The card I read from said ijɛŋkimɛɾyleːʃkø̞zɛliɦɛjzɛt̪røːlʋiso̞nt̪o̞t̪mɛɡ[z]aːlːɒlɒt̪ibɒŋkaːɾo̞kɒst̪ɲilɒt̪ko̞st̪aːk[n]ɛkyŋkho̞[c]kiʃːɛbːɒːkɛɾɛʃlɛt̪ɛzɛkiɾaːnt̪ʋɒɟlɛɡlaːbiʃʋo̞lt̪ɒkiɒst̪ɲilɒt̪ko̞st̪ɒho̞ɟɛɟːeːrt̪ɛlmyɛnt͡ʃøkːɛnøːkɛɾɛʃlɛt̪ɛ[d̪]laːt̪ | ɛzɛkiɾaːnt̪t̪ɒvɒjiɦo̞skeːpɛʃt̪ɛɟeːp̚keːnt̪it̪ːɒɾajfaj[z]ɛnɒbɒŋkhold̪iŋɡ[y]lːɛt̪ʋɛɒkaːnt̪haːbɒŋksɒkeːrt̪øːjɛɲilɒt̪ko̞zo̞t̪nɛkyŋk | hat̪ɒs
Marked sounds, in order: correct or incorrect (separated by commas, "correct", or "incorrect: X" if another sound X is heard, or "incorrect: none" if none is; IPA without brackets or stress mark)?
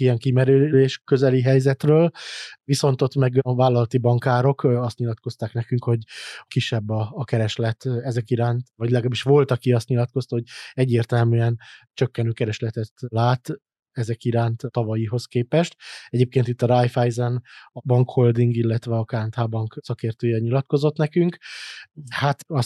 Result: incorrect: v, correct, incorrect: ɟ, incorrect: t̪, correct, incorrect: i